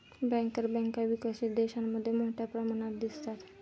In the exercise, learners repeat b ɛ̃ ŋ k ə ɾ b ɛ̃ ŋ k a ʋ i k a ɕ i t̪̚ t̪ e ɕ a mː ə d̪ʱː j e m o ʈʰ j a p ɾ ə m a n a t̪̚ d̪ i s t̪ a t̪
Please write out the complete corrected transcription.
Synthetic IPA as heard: b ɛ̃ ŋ k ə ɾ b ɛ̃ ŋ k a ʋ i k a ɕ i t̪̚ d̪ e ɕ a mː ə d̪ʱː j e m o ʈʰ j a p ɾ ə m a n a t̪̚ d̪ i s t̪ a t̪